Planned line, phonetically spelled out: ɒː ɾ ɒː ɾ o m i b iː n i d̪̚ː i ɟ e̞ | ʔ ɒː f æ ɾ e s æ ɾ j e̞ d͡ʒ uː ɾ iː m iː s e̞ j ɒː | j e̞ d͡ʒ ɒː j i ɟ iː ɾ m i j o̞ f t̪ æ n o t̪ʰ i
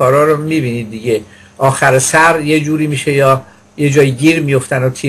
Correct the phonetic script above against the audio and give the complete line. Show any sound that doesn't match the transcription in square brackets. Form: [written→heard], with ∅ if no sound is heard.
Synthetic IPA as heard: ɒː ɾ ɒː ɾ o m i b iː n i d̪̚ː i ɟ e̞ | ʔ ɒː [f→x] æ ɾ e s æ ɾ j e̞ d͡ʒ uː ɾ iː m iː [s→ʃ] e̞ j ɒː | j e̞ d͡ʒ ɒː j i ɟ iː ɾ m i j o̞ f t̪ æ n o t̪ʰ i

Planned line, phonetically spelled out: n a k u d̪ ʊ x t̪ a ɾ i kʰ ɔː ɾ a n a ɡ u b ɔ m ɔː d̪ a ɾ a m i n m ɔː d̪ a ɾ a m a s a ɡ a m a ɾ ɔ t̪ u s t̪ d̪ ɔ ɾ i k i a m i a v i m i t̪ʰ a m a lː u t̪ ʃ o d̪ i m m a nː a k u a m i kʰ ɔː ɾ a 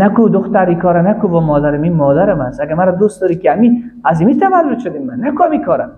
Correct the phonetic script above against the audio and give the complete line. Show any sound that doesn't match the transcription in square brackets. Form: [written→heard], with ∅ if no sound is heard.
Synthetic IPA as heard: n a k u d̪ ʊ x t̪ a ɾ i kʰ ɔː ɾ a n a [ɡ→k] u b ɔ m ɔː d̪ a ɾ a m i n m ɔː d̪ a ɾ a m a s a ɡ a m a ɾ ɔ [t̪→d̪] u s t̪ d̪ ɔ ɾ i k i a m i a [v→z] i m i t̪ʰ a m a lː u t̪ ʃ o d̪ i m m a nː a k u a m i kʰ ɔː ɾ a

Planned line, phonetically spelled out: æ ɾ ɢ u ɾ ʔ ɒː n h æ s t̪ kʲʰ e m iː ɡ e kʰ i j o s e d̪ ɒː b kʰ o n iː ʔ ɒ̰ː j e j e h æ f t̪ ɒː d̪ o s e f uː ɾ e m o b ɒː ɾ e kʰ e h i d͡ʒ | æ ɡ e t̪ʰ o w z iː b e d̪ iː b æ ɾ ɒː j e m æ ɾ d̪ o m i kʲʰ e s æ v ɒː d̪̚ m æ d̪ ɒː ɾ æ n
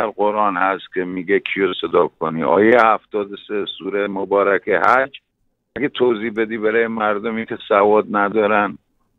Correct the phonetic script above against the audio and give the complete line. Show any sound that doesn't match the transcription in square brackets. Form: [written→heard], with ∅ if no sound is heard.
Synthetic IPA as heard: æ ɾ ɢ [u→o] ɾ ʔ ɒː n h æ s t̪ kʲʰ e m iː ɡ e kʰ i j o s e d̪ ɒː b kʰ o n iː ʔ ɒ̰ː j e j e h æ f t̪ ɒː d̪ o s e [f→s] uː ɾ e m o b ɒː ɾ [e→æ] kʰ e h [i→æ] d͡ʒ | æ ɡ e t̪ʰ o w z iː b e d̪ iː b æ ɾ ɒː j e m æ ɾ d̪ o m i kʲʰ e s æ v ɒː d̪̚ [m→n] æ d̪ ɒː ɾ æ n

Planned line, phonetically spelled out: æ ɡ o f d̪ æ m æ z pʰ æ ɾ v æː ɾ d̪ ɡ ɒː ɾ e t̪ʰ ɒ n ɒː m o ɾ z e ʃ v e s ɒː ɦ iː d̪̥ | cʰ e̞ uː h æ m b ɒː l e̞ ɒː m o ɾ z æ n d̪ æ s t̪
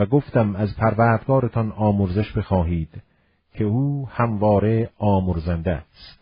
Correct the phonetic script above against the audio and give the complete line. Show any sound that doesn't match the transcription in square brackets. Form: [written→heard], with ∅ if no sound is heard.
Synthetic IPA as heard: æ ɡ o f [d̪→t̪] æ m æ z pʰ æ ɾ v æː ɾ d̪ ɡ ɒː ɾ e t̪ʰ ɒ n ɒː m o ɾ z e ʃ [v→b] e [s→x] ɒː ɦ iː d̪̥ | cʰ e̞ uː h æ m [b→v] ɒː [l→ɾ] e̞ ɒː m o ɾ z æ n d̪ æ s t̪

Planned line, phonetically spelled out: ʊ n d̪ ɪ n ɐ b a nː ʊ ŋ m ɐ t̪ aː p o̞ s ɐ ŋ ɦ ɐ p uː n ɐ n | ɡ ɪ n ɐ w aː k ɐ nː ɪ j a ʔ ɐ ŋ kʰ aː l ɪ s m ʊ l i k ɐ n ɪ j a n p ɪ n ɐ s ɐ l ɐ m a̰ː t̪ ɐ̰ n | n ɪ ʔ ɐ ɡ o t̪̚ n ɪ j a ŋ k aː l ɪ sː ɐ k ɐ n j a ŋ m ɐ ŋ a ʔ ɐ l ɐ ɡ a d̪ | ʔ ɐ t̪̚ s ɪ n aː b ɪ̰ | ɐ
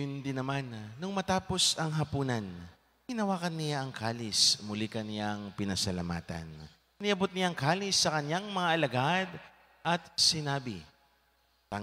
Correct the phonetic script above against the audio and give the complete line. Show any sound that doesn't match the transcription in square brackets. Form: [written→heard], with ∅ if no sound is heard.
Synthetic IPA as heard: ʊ n d̪ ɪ n ɐ [b→m] a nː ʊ ŋ m ɐ t̪ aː p o̞ s ɐ ŋ ɦ ɐ p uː n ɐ n | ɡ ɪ n ɐ w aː k ɐ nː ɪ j a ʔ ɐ ŋ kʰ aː l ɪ s m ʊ l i k ɐ n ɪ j a [n→ŋ] p ɪ n ɐ s ɐ l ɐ m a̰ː t̪ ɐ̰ n | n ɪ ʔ ɐ [ɡ→b] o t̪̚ n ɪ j a ŋ k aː l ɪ sː ɐ k ɐ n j a ŋ m ɐ ŋ a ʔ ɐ l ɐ ɡ a d̪ | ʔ ɐ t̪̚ s ɪ n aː b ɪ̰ | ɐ

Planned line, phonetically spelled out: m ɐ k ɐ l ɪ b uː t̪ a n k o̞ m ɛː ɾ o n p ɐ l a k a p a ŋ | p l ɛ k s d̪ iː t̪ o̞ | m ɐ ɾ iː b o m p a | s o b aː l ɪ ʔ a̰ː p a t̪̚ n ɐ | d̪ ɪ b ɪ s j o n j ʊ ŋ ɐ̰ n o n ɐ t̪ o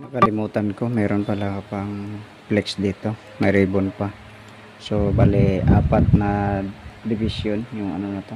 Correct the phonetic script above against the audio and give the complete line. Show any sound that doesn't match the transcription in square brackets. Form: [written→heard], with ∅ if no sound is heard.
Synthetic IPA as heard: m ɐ k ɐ l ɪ [b→m] uː t̪ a n k o̞ m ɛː ɾ o n p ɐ l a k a p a ŋ | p l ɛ k s d̪ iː t̪ o̞ | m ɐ ɾ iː b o [m→n] p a | s o b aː l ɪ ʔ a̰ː p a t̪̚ n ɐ | d̪ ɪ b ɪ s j o n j ʊ ŋ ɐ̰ n o n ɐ t̪ o

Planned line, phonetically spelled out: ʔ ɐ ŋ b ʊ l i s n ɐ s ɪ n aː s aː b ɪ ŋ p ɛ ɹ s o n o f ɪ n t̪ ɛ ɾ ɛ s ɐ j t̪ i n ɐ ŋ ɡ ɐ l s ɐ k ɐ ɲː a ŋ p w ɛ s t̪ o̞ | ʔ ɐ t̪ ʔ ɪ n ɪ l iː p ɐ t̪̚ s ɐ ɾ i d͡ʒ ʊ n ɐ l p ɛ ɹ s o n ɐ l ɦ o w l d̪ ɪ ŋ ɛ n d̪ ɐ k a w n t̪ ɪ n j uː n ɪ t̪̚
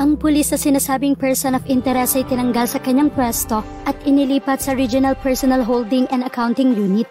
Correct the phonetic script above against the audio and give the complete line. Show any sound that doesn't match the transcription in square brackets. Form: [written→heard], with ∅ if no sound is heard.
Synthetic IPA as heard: ʔ ɐ ŋ [b→p] ʊ l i s n ɐ s ɪ n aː s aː b ɪ ŋ p ɛ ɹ s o n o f ɪ n t̪ ɛ ɾ ɛ s ɐ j t̪ [i→ɪ] n ɐ ŋ ɡ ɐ l s ɐ k ɐ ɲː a ŋ p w ɛ s t̪ o̞ | ʔ ɐ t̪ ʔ ɪ n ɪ l iː p ɐ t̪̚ s ɐ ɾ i d͡ʒ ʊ n ɐ l p ɛ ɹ s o n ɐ l ɦ o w l d̪ ɪ ŋ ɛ n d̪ ɐ k a w n t̪ ɪ [n→ŋ] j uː n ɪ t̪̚

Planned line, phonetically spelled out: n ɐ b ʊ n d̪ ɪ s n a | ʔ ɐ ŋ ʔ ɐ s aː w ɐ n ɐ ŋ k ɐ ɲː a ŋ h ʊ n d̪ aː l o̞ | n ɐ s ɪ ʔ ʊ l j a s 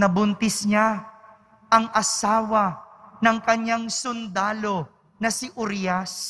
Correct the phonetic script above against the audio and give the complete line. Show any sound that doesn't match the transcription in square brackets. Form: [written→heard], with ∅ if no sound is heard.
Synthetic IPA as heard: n ɐ b ʊ n [d̪→t̪] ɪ s [n→ɲ] a | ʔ ɐ ŋ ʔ ɐ s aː w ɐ n ɐ ŋ k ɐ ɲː a ŋ [h→s] ʊ n d̪ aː l o̞ | n ɐ s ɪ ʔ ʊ [l→ɾ] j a s

